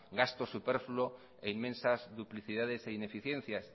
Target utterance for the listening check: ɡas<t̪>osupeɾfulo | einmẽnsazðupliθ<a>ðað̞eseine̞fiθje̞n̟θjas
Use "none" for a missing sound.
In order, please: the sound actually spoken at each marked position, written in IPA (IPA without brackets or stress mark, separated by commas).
t̪, i